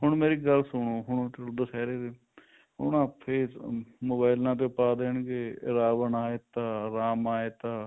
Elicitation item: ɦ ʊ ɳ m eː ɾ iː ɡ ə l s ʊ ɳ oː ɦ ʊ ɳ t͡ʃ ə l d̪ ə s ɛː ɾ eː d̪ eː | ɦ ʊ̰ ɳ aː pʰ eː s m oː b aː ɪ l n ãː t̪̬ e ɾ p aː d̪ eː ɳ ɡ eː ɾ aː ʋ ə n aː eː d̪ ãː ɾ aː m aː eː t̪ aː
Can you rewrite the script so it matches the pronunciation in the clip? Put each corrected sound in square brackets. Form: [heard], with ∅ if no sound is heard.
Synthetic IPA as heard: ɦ ʊ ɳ m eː ɾ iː ɡ ə l s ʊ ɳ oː ɦ ʊ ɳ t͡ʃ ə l d̪ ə s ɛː ɾ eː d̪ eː | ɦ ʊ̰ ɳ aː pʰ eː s m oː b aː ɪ l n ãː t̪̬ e [∅] p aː d̪ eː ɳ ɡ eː ɾ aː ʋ ə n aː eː [t̪] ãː ɾ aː m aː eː t̪ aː